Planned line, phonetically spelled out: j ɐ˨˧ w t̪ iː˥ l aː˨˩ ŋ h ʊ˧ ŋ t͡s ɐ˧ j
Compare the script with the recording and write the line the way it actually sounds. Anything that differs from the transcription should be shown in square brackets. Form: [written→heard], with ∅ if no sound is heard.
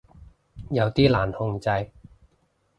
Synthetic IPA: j ɐ˨˧ w t̪ iː˥ l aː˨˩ [ŋ→n] h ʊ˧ ŋ t͡s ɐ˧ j